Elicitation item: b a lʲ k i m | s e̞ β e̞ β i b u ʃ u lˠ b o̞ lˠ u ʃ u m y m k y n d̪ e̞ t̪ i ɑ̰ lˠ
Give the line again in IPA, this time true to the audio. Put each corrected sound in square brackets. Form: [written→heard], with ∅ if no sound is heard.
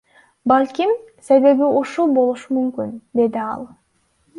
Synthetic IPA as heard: b a lʲ k i m | s e̞ β e̞ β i [b→∅] u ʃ u lˠ b o̞ lˠ u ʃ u m y m k y n d̪ e̞ [t̪→d̪] i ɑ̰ lˠ